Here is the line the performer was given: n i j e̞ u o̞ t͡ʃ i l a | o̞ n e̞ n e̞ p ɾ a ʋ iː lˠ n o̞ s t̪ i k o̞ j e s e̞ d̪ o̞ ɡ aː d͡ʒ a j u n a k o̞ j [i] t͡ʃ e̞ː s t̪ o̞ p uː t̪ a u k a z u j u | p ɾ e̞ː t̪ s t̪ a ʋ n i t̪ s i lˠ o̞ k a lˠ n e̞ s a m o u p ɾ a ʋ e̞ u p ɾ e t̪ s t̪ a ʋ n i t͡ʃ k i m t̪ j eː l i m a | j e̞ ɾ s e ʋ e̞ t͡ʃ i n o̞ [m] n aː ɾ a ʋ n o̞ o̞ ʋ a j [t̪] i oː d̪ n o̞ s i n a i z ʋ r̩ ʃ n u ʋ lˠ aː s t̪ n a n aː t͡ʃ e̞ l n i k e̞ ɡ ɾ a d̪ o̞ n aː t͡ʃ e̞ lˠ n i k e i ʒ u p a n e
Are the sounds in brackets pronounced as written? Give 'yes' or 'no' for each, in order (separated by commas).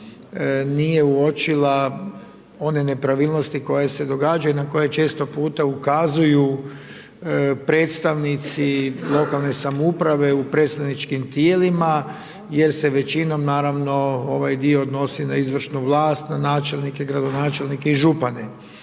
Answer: no, yes, no